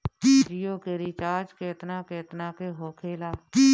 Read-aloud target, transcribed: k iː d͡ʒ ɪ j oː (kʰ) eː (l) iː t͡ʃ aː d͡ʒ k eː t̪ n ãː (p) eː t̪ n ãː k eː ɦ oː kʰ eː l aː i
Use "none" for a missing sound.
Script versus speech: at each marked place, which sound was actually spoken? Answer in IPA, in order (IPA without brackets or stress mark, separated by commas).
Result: k, ɾ, k